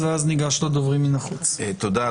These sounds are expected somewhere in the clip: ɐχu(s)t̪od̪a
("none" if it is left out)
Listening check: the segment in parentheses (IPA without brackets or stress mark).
t͡s